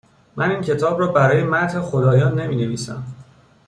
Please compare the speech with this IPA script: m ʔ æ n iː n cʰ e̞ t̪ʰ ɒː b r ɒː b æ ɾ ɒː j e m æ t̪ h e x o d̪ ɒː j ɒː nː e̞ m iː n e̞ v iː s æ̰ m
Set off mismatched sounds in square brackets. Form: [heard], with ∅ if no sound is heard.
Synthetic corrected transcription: m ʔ æ n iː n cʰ e̞ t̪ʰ ɒː b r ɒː b æ ɾ ɒː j e m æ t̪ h e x o d̪ ɒː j ɒː nː e̞ m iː n e̞ v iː s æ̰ m

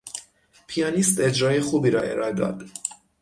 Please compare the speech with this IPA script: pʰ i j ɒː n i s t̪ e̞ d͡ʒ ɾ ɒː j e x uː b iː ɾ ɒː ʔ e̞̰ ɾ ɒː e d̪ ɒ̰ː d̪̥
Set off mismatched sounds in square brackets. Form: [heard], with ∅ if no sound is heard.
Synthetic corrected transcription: pʰ i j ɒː n i s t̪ e̞ d͡ʒ ɾ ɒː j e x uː b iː ɾ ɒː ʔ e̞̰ ɾ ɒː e d̪ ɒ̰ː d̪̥

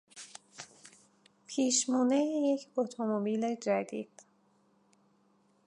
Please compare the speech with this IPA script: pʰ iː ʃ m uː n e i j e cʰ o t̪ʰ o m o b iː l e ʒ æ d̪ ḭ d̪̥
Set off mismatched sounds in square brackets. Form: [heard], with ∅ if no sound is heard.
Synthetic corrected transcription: pʰ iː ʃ m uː n e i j e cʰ o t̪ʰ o m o b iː l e [d͡ʒ] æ d̪ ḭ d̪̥

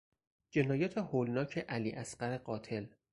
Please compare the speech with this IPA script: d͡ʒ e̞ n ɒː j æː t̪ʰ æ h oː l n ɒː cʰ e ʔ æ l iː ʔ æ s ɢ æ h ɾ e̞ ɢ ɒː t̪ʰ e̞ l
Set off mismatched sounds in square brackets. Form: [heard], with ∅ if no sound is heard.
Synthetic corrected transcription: d͡ʒ e̞ n ɒː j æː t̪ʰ [e] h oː l n ɒː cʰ e ʔ æ l iː ʔ æ s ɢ æ [∅] ɾ e̞ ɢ ɒː t̪ʰ e̞ l

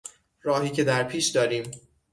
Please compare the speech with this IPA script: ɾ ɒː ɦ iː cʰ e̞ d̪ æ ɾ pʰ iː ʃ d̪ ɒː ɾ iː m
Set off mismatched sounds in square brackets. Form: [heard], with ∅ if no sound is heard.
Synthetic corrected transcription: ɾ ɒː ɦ iː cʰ e̞ d̪ æ ɾ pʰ iː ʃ d̪ ɒː ɾ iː m

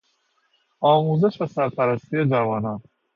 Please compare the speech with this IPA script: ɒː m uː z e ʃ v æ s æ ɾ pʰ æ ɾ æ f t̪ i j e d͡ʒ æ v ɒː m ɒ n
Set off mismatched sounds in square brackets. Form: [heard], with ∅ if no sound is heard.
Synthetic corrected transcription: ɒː m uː z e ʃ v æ s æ ɾ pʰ æ ɾ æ [s] t̪ i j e d͡ʒ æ v ɒː [n] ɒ n

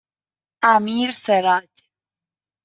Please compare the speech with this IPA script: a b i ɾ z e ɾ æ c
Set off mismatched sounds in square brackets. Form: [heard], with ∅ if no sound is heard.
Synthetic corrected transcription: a [m] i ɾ [s] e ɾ [a] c

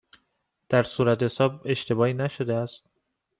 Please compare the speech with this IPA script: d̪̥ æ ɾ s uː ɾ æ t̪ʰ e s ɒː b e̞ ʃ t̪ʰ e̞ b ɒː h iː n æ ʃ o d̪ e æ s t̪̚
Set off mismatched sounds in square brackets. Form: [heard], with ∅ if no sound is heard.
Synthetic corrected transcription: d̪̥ æ ɾ s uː ɾ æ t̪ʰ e s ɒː b e̞ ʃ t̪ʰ e̞ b ɒː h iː n æ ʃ o d̪ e æ s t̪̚

